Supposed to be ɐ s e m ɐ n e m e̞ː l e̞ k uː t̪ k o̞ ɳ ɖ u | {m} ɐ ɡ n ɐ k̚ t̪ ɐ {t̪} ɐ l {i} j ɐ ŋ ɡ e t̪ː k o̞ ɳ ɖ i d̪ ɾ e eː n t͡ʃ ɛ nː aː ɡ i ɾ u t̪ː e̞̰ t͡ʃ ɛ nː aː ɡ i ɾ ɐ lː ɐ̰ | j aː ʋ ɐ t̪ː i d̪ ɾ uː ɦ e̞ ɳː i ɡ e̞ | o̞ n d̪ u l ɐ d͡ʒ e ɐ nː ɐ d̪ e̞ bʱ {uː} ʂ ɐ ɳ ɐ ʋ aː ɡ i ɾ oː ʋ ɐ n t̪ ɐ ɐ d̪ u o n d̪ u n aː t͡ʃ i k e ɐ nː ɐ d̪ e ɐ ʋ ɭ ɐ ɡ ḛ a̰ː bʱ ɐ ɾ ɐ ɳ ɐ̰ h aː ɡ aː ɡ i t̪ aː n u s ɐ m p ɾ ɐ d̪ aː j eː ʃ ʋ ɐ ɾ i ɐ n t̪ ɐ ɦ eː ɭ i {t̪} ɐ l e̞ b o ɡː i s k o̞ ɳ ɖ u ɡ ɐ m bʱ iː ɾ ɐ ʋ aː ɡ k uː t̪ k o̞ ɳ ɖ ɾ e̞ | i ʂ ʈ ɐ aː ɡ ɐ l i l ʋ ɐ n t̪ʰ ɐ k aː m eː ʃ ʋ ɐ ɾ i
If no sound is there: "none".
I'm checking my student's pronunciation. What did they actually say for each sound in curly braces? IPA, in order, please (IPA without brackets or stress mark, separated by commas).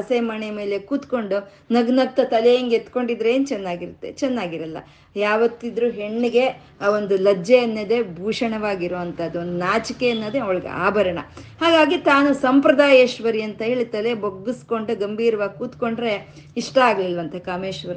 n, t̪, e, uː, t̪